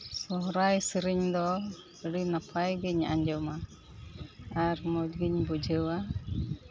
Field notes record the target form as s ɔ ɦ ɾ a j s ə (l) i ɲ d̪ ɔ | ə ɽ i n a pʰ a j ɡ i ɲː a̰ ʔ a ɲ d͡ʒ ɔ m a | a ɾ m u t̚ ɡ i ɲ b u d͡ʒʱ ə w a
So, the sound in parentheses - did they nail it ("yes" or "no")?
no